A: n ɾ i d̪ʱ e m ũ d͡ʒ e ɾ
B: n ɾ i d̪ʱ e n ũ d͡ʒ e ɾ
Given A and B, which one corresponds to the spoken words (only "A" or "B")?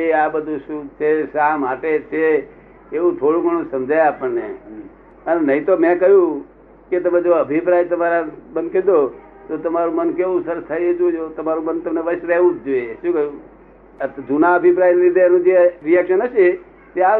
B